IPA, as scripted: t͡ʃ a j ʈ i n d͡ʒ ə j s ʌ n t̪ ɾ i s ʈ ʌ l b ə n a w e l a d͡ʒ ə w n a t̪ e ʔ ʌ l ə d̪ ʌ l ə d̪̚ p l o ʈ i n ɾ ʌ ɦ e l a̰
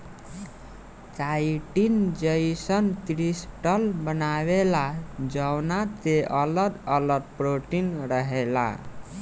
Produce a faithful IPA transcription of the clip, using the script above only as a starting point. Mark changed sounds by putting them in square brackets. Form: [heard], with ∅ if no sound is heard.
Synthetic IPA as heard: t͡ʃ a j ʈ i n d͡ʒ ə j s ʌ n t̪ ɾ i s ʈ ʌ l b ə n a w e l a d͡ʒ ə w n a t̪ e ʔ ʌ l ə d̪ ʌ l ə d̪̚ p [ɾ] o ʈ i n ɾ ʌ ɦ e l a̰